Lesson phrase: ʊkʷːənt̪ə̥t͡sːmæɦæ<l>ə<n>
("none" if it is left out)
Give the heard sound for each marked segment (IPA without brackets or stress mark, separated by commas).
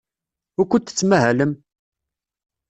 l, m